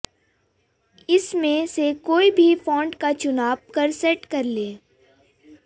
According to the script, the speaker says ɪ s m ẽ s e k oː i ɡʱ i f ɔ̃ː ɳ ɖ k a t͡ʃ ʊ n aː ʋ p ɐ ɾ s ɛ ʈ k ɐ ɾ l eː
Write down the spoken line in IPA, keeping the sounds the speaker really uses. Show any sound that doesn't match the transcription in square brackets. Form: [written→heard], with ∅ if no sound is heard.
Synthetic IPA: ɪ s m ẽ s e k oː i [ɡʱ→bʱ] i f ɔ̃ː ɳ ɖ k a t͡ʃ ʊ n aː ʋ [p→k] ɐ ɾ s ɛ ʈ k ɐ ɾ l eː